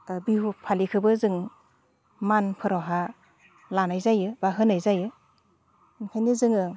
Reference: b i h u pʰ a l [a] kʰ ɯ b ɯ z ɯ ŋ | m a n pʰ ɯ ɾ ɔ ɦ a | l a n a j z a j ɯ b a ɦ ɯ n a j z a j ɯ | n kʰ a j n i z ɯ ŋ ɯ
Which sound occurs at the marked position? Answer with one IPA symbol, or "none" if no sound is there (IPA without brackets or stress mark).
i